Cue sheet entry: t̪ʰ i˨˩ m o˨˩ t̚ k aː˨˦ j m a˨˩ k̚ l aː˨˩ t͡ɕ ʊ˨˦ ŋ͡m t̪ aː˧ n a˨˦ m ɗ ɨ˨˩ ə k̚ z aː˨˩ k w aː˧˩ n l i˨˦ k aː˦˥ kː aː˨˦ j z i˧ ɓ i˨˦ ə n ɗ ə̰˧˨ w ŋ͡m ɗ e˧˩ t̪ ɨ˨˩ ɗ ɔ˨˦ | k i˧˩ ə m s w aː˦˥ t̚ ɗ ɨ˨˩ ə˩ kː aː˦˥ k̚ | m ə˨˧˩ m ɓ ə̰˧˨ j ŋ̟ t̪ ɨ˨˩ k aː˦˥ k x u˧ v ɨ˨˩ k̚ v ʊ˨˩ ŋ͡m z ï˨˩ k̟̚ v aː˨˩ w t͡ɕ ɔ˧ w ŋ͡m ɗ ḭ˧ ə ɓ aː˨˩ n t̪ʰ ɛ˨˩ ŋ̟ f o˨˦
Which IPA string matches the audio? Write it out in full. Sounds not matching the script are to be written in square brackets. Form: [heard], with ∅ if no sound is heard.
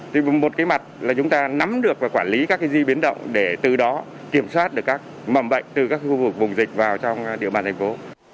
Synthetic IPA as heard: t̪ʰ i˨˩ m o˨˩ t̚ k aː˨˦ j m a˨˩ [t̚] l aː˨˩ t͡ɕ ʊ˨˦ ŋ͡m t̪ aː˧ n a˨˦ m ɗ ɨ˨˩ ə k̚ [v] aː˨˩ k w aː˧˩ n l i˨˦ k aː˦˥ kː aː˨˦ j z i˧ ɓ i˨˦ ə n ɗ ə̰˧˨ w ŋ͡m ɗ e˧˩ t̪ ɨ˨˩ ɗ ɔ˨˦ | k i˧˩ ə m s w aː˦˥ t̚ ɗ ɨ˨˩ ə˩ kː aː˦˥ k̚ | m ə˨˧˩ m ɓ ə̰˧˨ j ŋ̟ t̪ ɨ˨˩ k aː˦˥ k x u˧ v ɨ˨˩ k̚ v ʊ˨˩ ŋ͡m z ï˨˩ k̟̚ v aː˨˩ w t͡ɕ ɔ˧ w ŋ͡m ɗ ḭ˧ ə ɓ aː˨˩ n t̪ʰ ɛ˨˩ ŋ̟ f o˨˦